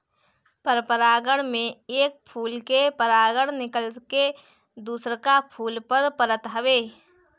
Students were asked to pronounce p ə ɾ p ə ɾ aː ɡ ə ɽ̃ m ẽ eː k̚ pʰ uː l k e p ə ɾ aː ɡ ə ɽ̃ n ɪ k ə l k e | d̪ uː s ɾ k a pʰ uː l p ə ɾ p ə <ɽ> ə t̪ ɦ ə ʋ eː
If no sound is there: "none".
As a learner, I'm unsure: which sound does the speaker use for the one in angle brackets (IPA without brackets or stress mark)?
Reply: ɾ